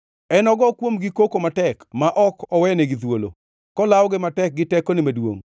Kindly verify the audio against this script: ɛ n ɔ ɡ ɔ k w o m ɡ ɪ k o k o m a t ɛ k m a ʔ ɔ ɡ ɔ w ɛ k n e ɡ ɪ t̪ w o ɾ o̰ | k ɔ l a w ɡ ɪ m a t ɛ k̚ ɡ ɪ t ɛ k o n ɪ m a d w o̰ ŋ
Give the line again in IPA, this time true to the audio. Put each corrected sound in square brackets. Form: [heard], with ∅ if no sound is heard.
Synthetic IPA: ɛ n ɔ ɡ ɔ k w o m ɡ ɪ k o k o m a t ɛ k m a ʔ ɔ [k] ɔ w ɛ [∅] n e ɡ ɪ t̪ w o [l] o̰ | k ɔ l a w ɡ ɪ m a t ɛ k̚ ɡ ɪ t ɛ k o n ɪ m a d w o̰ ŋ